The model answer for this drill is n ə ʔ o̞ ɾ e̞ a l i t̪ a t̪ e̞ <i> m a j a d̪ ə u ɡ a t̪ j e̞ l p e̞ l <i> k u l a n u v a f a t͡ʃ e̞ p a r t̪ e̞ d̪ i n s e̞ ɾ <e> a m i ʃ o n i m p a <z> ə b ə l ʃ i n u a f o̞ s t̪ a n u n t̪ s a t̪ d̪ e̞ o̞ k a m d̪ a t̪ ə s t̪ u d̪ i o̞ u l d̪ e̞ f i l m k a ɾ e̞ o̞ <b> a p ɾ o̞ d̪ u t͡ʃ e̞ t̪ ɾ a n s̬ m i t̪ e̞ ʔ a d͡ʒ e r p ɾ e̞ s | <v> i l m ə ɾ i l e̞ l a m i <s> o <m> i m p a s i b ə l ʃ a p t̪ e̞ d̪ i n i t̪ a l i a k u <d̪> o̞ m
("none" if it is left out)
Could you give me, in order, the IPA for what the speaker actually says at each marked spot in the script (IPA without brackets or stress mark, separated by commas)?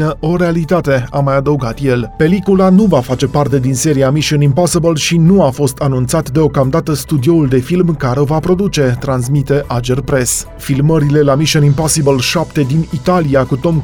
a, i, i, s, v, f, ʃ, n, t̪